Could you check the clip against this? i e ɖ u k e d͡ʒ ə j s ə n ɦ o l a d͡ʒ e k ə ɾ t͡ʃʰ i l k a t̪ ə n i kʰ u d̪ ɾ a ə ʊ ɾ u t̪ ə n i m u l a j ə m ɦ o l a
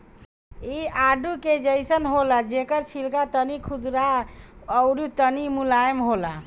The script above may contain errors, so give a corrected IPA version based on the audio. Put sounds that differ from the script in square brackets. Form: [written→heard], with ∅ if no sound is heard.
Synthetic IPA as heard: i [e→a] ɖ u k e d͡ʒ ə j s ə n ɦ o l a d͡ʒ e k ə ɾ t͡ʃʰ i l k a t̪ ə n i kʰ u d̪ ɾ a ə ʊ ɾ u t̪ ə n i m u l a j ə m ɦ o l a